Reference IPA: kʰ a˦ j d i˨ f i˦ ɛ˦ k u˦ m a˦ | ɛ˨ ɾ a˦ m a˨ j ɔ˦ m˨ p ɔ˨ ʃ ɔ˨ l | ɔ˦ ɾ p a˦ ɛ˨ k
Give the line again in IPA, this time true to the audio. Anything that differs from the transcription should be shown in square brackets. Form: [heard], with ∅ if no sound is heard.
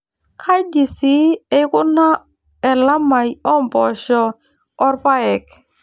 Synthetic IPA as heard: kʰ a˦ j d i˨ [s] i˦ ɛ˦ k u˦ [n] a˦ | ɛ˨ [l] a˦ m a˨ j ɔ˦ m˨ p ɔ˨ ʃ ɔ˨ [∅] | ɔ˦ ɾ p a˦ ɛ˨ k